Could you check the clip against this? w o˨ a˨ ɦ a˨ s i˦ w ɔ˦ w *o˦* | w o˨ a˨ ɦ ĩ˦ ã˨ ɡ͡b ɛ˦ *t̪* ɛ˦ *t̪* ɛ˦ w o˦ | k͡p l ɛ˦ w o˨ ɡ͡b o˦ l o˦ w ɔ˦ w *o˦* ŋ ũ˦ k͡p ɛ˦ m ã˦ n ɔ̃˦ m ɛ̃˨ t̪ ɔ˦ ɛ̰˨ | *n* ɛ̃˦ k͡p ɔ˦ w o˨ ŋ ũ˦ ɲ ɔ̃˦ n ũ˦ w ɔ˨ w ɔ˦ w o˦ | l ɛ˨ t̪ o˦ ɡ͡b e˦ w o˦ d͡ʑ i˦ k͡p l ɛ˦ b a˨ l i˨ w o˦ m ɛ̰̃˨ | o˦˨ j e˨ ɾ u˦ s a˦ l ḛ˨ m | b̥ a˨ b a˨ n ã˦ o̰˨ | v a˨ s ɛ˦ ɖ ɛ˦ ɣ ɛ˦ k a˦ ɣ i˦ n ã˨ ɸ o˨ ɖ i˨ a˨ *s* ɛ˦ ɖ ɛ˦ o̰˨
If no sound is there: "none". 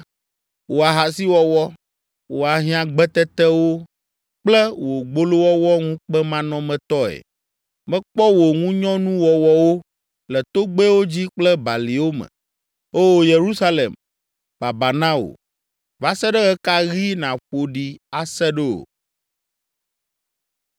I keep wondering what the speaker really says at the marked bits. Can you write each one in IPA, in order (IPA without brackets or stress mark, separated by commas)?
ɔ˦, t̪, t̪, ɔ˦, m, s